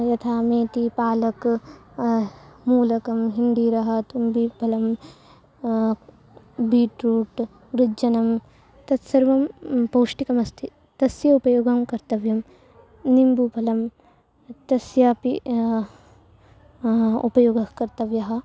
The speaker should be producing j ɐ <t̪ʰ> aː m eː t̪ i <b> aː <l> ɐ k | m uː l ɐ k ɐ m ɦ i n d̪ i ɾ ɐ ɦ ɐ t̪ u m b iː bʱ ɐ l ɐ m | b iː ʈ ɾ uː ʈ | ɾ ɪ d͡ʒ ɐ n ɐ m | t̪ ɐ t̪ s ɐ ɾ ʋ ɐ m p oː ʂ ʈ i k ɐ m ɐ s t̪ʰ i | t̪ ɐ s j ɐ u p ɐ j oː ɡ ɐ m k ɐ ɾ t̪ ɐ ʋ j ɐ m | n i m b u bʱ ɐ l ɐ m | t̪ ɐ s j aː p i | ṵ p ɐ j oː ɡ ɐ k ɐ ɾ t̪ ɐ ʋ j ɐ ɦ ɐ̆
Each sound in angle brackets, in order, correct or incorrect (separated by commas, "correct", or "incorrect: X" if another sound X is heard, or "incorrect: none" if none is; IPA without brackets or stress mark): correct, incorrect: p, correct